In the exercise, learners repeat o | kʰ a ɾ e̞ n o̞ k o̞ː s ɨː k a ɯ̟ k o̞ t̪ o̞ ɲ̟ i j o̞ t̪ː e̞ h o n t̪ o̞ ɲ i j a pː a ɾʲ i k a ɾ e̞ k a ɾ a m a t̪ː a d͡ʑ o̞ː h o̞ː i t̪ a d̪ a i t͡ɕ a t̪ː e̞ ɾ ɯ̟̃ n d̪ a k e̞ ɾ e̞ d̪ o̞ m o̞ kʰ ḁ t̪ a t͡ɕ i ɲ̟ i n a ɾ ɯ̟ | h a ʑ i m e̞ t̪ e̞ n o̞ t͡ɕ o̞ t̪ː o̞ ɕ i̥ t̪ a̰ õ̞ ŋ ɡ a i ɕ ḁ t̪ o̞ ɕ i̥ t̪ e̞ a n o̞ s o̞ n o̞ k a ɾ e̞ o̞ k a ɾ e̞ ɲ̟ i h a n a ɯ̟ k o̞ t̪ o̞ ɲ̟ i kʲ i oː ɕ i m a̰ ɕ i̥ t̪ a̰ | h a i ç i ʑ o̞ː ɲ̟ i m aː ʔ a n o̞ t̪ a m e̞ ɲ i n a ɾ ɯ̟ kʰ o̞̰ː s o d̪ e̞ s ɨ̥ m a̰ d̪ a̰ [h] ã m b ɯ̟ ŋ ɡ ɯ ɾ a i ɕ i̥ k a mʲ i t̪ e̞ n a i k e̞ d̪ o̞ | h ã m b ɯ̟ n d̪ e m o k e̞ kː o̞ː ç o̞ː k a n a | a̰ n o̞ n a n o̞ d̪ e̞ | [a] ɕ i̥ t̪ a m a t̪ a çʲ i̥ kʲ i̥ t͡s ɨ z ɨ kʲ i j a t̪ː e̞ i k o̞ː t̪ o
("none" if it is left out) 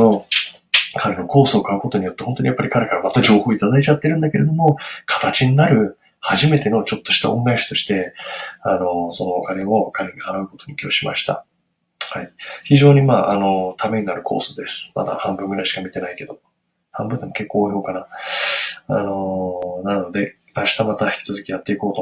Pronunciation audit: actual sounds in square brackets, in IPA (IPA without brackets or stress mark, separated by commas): h, a